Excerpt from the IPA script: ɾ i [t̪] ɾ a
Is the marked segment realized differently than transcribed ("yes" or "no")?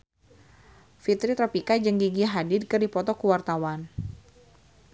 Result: no